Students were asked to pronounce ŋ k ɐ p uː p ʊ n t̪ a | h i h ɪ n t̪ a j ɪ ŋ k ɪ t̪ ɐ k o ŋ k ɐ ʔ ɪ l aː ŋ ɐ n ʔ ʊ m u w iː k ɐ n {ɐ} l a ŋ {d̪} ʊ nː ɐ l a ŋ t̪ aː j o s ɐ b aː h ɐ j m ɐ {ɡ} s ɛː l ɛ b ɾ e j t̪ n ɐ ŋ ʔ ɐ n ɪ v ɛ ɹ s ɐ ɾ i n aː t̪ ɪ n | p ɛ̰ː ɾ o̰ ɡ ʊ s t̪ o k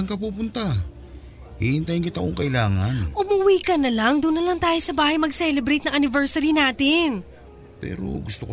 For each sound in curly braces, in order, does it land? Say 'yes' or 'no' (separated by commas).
yes, yes, yes